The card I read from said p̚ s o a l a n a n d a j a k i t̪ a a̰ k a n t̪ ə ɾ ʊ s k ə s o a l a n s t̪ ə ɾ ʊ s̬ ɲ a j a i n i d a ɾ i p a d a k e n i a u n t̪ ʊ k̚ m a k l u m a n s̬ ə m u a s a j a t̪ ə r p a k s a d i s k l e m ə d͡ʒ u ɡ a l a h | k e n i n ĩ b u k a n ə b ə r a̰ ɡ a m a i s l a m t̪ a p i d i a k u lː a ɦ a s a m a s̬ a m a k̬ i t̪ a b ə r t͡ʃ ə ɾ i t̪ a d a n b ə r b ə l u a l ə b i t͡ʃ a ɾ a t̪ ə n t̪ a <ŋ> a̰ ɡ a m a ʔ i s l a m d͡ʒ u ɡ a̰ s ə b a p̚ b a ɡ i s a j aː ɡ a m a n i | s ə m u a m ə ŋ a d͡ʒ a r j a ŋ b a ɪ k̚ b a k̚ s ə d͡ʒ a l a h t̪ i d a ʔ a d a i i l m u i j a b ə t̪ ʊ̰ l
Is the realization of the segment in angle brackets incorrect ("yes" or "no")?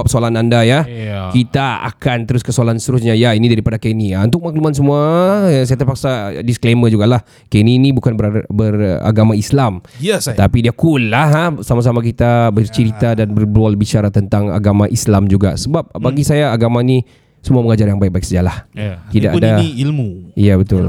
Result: no